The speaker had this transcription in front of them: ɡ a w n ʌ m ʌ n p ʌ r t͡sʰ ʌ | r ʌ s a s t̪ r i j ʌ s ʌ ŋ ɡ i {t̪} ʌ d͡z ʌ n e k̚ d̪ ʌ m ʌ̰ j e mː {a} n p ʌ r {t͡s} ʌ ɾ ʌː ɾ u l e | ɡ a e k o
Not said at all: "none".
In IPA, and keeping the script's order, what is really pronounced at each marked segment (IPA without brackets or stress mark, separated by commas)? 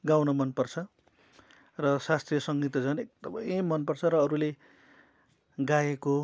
t̪, ʌ, t͡sʰ